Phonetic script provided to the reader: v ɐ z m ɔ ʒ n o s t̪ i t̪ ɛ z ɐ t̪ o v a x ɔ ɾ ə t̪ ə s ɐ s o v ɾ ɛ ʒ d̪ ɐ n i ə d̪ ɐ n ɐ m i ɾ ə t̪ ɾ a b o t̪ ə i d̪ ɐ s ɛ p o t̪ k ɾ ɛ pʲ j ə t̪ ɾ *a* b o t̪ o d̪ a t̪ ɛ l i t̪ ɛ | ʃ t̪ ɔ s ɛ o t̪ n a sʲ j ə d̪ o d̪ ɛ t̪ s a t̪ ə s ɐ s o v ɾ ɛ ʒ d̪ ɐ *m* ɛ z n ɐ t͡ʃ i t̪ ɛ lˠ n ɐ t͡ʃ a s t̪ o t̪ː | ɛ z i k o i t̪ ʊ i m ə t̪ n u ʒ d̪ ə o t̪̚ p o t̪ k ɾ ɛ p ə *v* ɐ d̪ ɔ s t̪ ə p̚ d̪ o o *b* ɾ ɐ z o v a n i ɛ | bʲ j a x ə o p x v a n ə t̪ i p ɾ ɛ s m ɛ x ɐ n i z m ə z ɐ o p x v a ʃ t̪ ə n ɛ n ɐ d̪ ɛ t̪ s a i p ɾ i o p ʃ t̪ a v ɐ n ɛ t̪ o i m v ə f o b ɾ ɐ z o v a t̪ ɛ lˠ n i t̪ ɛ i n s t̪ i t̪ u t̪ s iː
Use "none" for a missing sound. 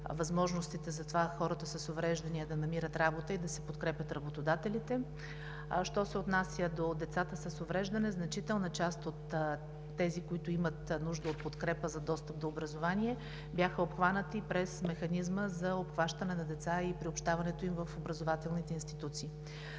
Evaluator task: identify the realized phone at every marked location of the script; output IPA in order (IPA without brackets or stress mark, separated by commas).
ɐ, n, z, b